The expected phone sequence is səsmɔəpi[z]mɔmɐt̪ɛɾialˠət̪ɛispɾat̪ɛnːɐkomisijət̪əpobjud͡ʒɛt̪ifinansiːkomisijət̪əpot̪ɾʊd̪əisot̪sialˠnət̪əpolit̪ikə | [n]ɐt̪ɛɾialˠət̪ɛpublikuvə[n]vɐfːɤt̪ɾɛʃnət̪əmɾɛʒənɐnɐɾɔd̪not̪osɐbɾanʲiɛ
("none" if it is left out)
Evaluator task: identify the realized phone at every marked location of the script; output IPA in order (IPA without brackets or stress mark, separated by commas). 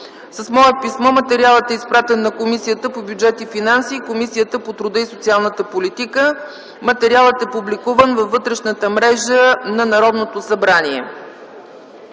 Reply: s, m, n